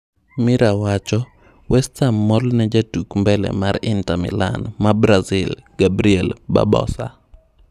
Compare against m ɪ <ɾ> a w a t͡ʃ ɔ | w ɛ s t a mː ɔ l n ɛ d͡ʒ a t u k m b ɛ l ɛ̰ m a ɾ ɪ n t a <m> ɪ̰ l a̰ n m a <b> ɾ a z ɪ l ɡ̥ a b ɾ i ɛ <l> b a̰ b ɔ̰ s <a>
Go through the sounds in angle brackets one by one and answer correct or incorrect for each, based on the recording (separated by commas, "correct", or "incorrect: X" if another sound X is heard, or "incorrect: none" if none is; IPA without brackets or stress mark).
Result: correct, correct, correct, correct, correct